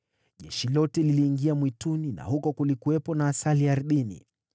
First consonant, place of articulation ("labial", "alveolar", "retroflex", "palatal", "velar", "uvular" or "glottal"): palatal